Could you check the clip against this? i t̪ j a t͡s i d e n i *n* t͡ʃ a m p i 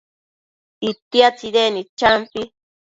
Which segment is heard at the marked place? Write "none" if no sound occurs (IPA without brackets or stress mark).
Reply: none